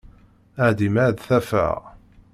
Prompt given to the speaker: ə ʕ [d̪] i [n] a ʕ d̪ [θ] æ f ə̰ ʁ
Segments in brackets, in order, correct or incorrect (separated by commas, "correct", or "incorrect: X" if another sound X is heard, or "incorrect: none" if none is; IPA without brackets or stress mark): correct, incorrect: m, correct